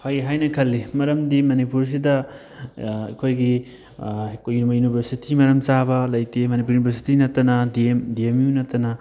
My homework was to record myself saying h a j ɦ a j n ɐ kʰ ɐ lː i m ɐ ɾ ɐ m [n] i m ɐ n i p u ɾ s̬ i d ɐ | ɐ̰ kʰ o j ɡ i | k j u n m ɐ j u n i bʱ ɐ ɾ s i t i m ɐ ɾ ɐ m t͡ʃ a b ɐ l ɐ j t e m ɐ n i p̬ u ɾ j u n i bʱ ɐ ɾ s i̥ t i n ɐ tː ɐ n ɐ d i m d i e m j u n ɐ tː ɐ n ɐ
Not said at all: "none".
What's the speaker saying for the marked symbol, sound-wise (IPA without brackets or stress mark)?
d